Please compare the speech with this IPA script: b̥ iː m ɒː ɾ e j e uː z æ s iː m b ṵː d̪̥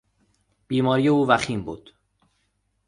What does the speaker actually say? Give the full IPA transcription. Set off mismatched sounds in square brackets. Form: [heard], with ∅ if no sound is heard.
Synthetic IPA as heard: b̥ iː m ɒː ɾ [i] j e uː [v] æ [x] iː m b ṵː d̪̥